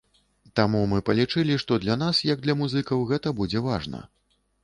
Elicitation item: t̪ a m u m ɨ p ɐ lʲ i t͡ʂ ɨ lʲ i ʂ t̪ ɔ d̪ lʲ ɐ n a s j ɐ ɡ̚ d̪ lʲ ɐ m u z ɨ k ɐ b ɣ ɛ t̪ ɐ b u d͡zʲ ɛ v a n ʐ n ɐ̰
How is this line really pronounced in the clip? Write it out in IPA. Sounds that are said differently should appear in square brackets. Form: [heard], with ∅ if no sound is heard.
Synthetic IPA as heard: t̪ a m u m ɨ p ɐ lʲ i t͡ʂ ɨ lʲ i ʂ t̪ ɔ d̪ lʲ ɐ n a s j ɐ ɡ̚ d̪ lʲ ɐ m u z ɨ k ɐ [w] ɣ ɛ t̪ ɐ b u d͡zʲ ɛ v a [∅] ʐ n ɐ̰